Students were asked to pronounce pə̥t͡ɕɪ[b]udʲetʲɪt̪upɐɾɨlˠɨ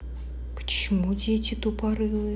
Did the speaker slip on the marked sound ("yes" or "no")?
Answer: yes